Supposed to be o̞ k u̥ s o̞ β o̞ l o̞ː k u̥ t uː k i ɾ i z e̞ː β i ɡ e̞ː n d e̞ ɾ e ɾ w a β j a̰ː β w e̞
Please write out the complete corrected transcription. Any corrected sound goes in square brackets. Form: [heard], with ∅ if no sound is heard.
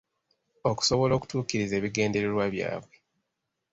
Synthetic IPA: o̞ k u̥ s o̞ β o̞ l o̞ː k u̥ t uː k i ɾ i z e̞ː β i ɡ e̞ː n d e̞ ɾ e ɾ w a β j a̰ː β w e̞